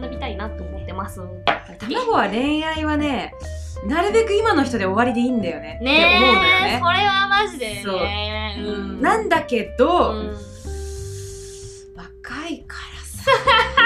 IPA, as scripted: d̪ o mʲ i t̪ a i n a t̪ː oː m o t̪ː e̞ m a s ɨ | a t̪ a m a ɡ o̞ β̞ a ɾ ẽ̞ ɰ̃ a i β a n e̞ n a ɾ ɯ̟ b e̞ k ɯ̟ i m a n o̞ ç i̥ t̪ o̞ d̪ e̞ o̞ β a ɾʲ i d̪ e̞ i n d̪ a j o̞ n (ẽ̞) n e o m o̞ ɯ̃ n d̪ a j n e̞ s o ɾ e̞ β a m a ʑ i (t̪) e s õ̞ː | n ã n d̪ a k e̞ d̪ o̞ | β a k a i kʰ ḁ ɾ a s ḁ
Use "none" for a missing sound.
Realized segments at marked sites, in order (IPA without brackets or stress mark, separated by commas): e̞, d̪